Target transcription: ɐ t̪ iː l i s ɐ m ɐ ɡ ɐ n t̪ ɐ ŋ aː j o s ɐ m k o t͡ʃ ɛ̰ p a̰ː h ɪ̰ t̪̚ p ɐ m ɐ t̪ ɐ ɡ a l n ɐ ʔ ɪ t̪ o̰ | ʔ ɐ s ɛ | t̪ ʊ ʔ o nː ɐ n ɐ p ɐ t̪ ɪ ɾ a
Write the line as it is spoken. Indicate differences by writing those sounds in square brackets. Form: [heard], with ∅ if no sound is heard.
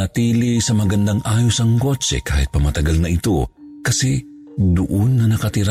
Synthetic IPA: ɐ t̪ iː l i s ɐ m ɐ ɡ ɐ n [d̪] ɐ ŋ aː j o s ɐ [ŋ] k o t͡ʃ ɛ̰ [k] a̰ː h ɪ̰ t̪̚ p ɐ m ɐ t̪ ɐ ɡ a l n ɐ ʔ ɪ t̪ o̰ | [k] ɐ s ɛ | [d̪] ʊ ʔ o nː ɐ n ɐ [k] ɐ t̪ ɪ ɾ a